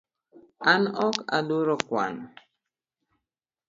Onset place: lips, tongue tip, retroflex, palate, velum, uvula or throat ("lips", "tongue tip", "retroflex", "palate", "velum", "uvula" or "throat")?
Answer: tongue tip